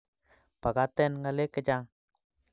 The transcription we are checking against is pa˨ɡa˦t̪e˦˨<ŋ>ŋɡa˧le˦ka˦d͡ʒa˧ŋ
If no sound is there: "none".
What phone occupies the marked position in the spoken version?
n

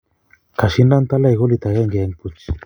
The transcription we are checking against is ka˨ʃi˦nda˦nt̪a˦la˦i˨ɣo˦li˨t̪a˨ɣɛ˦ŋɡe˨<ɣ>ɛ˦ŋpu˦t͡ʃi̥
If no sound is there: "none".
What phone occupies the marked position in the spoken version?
none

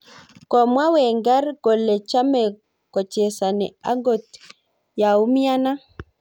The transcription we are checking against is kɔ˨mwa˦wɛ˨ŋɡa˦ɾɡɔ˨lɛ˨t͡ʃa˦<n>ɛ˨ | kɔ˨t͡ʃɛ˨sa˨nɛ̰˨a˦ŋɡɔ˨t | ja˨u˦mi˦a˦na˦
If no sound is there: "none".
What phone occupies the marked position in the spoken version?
m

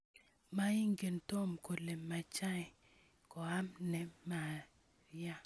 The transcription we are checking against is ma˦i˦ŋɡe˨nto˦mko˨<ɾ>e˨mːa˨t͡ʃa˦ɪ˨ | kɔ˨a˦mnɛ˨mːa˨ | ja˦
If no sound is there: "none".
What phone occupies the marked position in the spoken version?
l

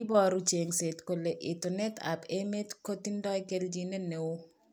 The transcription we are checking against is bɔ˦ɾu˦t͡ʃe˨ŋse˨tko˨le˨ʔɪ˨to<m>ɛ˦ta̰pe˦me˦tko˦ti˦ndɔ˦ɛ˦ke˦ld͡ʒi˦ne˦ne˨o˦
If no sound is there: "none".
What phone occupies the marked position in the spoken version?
n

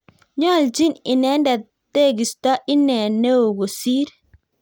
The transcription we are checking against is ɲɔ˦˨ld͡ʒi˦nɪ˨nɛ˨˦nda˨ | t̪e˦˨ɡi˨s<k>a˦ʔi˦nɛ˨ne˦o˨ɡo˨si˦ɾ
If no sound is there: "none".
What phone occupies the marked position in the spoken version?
t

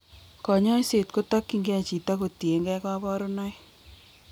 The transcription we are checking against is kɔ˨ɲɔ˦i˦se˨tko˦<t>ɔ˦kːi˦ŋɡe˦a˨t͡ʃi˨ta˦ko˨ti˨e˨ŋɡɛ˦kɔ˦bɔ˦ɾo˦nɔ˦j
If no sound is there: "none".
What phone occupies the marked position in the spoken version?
t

